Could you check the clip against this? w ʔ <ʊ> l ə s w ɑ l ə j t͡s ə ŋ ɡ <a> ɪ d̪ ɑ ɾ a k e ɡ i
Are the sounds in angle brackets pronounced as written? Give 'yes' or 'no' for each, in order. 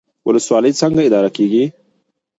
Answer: yes, yes

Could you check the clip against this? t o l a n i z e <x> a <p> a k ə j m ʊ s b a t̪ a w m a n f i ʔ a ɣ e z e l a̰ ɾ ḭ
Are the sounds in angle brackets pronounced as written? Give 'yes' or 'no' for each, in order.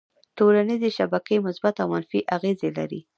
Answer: no, no

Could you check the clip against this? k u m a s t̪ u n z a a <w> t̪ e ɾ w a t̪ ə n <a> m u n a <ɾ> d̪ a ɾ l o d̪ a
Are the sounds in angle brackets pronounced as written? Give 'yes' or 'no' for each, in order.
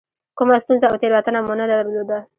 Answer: yes, yes, no

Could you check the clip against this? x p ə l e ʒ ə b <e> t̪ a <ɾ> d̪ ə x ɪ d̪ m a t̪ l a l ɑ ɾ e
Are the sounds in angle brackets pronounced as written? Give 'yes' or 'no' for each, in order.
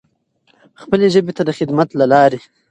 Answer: yes, no

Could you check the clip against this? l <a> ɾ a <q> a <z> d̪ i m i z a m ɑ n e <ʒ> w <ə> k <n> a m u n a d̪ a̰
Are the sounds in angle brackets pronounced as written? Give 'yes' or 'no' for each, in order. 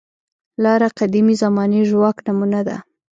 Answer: no, yes, no, yes, no, yes

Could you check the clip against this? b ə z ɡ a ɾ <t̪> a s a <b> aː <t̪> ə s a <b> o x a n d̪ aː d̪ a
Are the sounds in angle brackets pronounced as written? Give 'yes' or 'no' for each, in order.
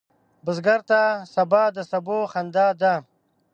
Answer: yes, yes, no, yes

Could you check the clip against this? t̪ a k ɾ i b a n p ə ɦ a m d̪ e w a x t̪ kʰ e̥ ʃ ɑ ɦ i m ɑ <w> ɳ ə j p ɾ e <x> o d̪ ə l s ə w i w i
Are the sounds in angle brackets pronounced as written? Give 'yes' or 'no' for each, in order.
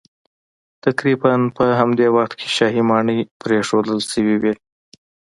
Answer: no, no

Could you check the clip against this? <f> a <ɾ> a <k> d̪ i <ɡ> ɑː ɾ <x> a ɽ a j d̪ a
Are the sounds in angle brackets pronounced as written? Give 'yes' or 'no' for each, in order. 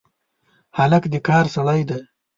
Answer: no, no, yes, no, no

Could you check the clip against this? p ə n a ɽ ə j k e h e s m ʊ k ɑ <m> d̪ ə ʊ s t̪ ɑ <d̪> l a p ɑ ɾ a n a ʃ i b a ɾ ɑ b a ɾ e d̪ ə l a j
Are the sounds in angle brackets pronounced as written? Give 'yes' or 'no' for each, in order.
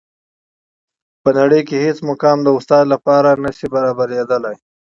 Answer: yes, yes

